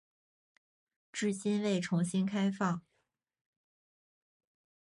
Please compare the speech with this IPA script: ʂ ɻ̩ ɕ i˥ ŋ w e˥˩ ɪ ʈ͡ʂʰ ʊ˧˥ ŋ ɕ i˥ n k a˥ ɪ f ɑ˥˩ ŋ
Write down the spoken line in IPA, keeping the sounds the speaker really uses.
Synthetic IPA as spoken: ʈ͡ʂ ɻ̩ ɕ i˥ n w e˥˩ ɪ ʈ͡ʂʰ ʊ˧˥ ŋ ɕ i˥ n kʰ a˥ ɪ f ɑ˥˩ ŋ